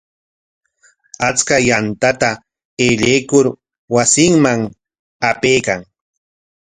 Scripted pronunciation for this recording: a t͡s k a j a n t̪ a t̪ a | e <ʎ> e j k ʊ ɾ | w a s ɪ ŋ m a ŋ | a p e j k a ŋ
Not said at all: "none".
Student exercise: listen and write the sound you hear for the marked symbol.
ʎ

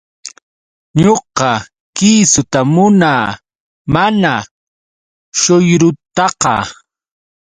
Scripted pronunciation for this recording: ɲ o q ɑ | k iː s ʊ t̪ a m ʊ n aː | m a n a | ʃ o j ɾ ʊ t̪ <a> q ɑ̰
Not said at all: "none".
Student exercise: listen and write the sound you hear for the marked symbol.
ɑ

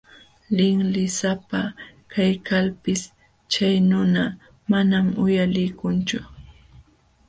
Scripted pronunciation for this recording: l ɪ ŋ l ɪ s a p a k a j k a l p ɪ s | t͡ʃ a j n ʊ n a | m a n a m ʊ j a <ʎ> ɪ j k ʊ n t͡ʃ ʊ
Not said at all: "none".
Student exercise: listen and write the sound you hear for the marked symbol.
l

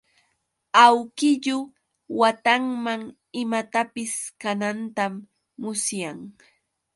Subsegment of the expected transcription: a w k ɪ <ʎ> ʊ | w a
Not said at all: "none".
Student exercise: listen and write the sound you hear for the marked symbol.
ʎ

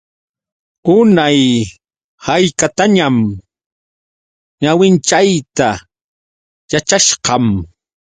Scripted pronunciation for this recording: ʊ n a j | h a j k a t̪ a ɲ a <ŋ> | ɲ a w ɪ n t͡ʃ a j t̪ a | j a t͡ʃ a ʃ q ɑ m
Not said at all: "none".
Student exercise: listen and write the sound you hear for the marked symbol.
m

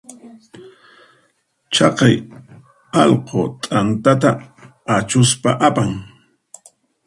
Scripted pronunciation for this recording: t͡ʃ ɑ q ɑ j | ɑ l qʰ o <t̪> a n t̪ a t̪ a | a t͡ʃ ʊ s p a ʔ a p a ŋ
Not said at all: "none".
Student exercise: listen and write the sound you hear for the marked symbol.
t̪ʼ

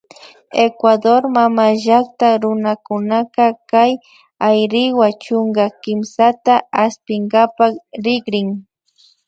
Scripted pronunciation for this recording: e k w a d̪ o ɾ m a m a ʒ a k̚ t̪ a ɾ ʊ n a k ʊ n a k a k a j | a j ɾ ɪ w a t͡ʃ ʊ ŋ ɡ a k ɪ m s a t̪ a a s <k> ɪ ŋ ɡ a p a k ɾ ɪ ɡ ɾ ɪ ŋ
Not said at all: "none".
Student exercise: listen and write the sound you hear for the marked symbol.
p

